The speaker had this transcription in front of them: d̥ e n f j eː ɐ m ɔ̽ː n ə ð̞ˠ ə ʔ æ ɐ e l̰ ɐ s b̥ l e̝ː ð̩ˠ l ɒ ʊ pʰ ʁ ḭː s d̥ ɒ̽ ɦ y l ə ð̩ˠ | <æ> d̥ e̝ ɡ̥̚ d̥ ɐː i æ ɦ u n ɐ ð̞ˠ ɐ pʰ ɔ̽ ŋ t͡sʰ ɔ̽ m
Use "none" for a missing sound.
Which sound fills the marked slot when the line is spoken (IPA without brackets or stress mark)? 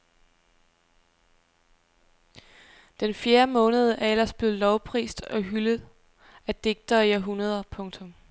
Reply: æ